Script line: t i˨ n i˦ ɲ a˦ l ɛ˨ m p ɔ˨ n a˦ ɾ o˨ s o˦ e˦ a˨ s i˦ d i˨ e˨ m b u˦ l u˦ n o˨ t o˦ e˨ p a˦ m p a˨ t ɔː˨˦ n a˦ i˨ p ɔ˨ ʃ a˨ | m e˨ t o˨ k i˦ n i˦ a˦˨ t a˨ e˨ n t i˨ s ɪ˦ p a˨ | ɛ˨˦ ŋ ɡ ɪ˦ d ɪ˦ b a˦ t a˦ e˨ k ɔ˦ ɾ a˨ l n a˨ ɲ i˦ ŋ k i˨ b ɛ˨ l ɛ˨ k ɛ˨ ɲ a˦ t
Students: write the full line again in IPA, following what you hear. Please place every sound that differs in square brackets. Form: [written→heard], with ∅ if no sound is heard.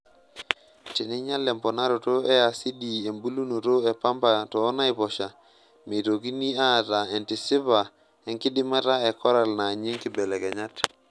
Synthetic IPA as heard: t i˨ n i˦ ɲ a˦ l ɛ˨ m p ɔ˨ n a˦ ɾ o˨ [s→t] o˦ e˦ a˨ s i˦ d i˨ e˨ m b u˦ l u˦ n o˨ t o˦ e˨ p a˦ m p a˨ t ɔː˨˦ n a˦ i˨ p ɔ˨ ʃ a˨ | m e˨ t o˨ k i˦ n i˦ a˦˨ t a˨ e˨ n t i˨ s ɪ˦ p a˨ | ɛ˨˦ ŋ [ɡ→k] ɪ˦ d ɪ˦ [b→m] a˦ t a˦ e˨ k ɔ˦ ɾ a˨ l n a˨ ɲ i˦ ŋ k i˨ b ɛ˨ l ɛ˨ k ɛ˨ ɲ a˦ t